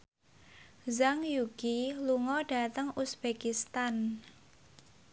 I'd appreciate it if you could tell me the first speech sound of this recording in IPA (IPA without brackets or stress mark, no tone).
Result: z